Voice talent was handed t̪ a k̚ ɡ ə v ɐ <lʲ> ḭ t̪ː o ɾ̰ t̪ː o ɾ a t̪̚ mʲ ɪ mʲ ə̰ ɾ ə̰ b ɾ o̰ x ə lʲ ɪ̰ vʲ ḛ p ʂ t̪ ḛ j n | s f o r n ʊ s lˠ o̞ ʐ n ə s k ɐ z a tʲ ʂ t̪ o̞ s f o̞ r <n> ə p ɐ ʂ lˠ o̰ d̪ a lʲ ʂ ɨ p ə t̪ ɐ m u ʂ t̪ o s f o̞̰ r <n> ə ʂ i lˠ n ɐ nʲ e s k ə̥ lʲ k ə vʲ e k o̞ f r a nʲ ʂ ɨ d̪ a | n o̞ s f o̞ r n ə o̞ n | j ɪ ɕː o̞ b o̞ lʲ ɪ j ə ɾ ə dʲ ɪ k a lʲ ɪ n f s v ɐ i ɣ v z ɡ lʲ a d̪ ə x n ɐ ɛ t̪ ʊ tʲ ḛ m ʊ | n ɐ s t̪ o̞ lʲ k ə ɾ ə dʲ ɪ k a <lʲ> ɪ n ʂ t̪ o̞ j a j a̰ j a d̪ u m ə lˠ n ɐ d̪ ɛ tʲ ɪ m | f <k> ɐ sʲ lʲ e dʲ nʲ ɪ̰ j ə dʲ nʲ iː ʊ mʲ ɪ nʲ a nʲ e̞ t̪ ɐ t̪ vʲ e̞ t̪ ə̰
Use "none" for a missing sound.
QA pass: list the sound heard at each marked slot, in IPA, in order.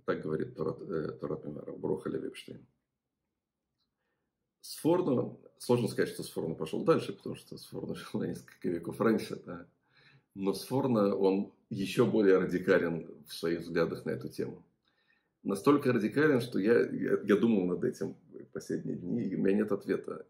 ɾʲ, n, n, lʲ, p

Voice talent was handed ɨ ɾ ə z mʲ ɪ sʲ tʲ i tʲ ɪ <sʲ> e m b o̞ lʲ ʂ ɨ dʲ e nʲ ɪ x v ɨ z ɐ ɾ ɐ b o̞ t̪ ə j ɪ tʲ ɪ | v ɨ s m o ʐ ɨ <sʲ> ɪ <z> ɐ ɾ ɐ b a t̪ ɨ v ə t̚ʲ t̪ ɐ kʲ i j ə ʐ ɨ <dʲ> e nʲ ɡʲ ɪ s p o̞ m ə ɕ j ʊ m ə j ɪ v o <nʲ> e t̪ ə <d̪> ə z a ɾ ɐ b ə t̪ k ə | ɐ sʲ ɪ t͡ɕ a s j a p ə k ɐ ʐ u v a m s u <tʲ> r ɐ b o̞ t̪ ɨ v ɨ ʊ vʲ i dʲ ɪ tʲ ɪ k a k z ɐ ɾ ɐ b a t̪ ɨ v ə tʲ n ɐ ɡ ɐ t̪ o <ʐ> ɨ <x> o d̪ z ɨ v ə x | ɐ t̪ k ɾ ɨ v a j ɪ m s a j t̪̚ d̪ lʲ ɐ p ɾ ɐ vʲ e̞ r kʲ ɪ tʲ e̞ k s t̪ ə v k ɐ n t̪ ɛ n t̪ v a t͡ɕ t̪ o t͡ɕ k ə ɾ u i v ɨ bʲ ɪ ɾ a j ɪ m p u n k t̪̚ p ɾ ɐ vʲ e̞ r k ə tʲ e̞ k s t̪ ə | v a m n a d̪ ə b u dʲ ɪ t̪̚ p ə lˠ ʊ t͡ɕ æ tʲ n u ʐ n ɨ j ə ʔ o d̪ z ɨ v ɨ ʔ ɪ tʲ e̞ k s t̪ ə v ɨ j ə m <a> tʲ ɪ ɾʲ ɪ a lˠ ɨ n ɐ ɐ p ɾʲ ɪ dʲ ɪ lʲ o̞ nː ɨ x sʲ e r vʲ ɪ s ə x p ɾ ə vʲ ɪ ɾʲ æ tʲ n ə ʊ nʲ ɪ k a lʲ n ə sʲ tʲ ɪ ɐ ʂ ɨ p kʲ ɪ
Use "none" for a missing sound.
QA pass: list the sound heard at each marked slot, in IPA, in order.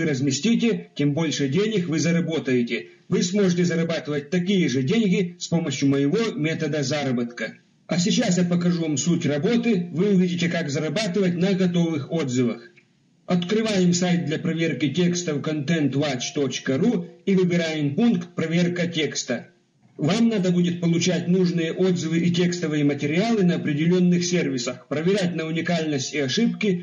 tʲ, tʲ, z, dʲ, mʲ, d̪, tʲ, v, x, ə

